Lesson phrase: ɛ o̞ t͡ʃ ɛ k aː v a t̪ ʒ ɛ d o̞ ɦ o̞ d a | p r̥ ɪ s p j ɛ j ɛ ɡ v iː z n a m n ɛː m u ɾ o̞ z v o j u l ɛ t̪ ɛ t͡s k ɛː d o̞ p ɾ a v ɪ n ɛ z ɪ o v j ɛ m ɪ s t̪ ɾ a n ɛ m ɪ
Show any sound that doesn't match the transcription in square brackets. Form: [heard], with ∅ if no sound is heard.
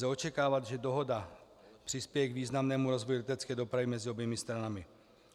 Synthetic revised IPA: ɛ o̞ t͡ʃ ɛ k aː v a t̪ ʒ ɛ d o̞ ɦ o̞ d a | p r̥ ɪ s p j ɛ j ɛ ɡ v iː z n a m n ɛː m u ɾ o̞ z v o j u l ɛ t̪ ɛ t͡s k ɛː d o̞ p ɾ a v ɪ [m] ɛ z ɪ o [b] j ɛ m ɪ s t̪ ɾ a n [a] m ɪ